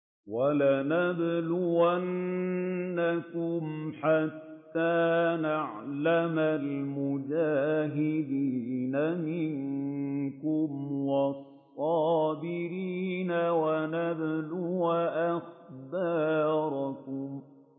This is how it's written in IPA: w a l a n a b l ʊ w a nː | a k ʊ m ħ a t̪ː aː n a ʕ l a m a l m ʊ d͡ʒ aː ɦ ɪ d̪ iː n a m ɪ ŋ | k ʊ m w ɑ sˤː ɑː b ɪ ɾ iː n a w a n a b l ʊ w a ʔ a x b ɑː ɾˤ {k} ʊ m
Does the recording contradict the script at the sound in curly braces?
no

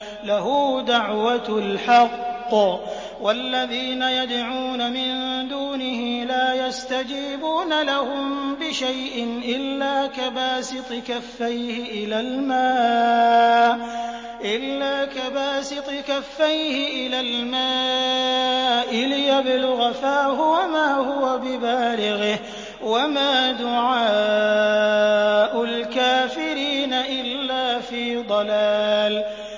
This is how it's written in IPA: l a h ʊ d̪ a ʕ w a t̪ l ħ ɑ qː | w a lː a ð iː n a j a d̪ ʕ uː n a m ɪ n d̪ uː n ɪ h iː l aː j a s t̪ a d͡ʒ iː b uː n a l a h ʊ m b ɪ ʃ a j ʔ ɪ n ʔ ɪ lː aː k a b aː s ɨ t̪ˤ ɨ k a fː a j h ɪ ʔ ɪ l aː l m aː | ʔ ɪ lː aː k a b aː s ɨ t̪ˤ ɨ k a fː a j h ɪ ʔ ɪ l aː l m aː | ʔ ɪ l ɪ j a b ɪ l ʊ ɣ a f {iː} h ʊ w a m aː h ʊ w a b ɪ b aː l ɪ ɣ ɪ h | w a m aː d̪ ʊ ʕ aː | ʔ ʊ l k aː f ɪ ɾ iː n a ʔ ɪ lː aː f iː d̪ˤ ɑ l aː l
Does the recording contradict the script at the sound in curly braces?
yes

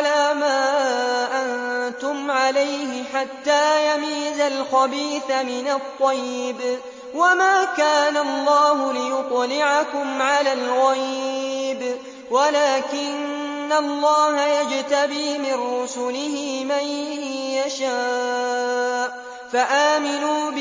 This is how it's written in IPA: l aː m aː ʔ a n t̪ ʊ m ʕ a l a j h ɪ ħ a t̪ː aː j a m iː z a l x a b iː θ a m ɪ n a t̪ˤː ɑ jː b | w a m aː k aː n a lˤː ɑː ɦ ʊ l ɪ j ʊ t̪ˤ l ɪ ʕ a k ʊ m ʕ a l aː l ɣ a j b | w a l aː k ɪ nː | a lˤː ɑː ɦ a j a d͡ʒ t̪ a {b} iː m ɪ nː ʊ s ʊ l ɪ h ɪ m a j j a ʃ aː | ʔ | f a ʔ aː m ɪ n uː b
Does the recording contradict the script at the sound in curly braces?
no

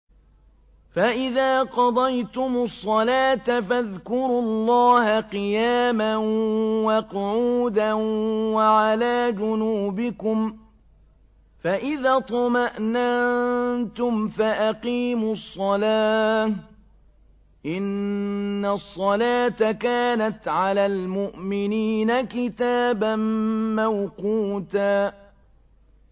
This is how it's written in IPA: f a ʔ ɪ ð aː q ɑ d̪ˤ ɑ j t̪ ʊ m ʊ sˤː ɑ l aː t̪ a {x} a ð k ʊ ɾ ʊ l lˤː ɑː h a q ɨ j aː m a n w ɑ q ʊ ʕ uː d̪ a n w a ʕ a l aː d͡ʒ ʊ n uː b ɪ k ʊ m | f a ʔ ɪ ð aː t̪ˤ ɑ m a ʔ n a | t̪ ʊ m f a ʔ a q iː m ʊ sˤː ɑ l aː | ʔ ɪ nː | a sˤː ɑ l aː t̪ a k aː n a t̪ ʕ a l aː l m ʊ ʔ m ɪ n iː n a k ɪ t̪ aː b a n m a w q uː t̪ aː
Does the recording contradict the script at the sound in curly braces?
yes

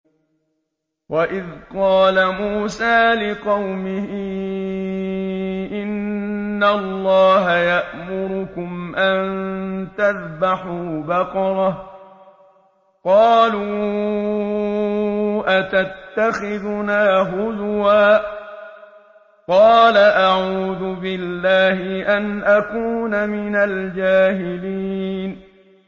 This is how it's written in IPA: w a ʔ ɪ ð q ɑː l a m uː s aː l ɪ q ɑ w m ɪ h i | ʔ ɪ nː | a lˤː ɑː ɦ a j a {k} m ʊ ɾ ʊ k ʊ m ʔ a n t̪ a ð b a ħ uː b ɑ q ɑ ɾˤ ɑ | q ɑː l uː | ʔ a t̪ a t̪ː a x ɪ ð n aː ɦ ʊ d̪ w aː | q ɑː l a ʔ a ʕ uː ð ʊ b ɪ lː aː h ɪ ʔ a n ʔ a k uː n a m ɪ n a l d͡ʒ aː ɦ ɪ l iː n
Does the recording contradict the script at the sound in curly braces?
yes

